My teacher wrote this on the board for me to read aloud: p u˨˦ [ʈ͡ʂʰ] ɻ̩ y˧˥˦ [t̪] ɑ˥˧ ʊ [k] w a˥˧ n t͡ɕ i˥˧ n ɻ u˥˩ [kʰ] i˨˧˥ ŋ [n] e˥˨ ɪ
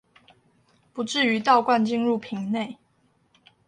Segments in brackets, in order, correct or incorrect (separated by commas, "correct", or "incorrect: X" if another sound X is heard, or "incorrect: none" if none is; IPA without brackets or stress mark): incorrect: ʈ͡ʂ, correct, correct, incorrect: pʰ, correct